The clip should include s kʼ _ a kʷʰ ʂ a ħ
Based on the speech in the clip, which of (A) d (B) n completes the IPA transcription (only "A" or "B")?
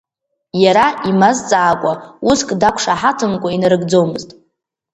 A